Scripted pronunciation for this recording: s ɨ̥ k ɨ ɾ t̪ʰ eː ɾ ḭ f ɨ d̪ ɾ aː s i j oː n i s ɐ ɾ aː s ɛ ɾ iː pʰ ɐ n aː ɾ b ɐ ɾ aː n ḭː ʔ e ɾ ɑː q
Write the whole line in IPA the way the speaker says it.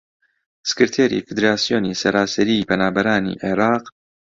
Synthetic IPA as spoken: s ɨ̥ k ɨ ɾ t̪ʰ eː ɾ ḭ f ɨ d̪ ɾ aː s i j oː n i s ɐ ɾ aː s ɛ ɾ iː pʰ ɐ n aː b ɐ ɾ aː n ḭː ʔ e ɾ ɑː q